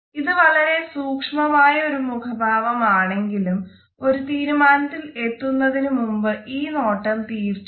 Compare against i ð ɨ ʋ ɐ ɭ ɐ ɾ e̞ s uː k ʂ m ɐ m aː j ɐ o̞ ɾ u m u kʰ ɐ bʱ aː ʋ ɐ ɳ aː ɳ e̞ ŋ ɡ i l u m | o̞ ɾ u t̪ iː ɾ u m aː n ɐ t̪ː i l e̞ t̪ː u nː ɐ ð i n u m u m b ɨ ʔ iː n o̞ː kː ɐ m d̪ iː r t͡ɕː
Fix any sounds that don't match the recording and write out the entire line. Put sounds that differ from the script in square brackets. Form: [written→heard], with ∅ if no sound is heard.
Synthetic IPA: i ð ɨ ʋ ɐ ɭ ɐ ɾ e̞ s uː k ʂ m ɐ m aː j ɐ o̞ ɾ u m u kʰ ɐ bʱ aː ʋ ɐ [ɳ→m] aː ɳ e̞ ŋ ɡ i l u m | o̞ ɾ u t̪ iː ɾ u m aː n ɐ t̪ː i l e̞ t̪ː u nː ɐ ð i n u m u m b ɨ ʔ iː n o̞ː [kː→ʈː] ɐ m [d̪→t̪] iː r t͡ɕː